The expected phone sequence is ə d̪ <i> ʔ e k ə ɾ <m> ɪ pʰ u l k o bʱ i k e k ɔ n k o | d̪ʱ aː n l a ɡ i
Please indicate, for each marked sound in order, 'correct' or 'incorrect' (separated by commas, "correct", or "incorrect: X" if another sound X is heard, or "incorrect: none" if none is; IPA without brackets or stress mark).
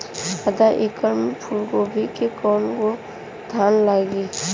incorrect: a, correct